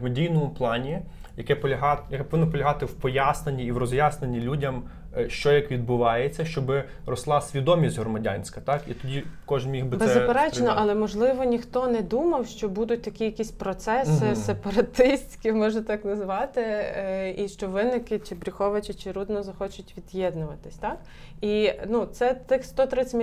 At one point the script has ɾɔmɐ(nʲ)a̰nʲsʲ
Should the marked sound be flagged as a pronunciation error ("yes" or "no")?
yes